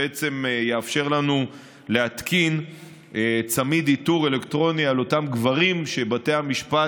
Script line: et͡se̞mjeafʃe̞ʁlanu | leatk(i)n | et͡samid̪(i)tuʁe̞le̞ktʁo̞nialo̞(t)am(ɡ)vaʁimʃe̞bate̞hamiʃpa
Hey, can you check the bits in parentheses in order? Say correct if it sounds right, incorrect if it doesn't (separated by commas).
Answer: correct, correct, correct, correct